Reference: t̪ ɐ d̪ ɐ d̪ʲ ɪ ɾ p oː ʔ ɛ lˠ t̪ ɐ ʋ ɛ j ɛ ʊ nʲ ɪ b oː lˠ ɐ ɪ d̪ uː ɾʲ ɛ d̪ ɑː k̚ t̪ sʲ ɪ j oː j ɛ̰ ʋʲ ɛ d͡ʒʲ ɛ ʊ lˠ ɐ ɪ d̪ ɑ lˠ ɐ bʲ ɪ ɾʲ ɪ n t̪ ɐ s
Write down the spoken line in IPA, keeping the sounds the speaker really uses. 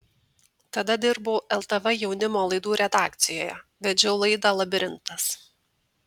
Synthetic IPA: t̪ ɐ d̪ ɐ d̪ʲ ɪ ɾ b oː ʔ ɛ lˠ t̪ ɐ ʋ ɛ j ɛ ʊ nʲ ɪ m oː lˠ ɐ ɪ d̪ uː ɾʲ ɛ d̪ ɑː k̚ t̪ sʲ ɪ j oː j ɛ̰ ʋʲ ɛ d͡ʒʲ ɛ ʊ lˠ ɐ ɪ d̪ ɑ lˠ ɐ bʲ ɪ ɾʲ ɪ n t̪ ɐ s